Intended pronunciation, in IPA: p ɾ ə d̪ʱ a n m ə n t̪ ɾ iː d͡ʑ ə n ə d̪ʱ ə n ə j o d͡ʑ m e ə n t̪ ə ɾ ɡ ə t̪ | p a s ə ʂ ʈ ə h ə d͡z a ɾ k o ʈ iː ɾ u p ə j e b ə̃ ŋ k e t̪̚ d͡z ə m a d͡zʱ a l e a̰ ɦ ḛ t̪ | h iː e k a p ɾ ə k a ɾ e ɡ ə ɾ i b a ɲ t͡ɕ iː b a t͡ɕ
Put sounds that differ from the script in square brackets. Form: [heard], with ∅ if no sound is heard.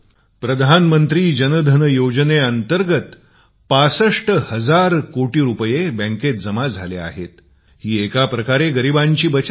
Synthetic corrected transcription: p ɾ ə d̪ʱ a n m ə n t̪ ɾ iː d͡ʑ ə n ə d̪ʱ ə n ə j o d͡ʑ [n] e ə n t̪ ə ɾ ɡ ə t̪ | p a s ə ʂ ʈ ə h ə d͡z a ɾ k o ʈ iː ɾ u p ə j e b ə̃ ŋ k e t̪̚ d͡z ə m a d͡zʱ a l e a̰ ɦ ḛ t̪ | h iː e k a p ɾ ə k a ɾ e ɡ ə ɾ i b a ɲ t͡ɕ iː b [ə] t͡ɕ